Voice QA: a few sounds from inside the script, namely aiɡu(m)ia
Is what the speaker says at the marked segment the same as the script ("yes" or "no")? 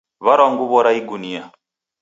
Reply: no